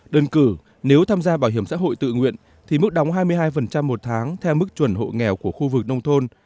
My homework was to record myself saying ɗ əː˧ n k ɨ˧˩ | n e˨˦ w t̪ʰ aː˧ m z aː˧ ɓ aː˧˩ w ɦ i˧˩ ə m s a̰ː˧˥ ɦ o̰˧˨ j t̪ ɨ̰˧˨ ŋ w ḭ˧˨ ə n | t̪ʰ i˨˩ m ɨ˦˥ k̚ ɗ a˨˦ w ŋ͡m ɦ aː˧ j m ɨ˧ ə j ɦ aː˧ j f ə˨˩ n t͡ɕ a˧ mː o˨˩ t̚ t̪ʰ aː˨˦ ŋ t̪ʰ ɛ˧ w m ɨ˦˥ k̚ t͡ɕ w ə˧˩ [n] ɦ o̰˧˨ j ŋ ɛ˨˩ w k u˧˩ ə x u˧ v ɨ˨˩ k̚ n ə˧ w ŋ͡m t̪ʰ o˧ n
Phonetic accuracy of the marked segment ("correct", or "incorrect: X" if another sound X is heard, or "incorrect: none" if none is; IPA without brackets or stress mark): correct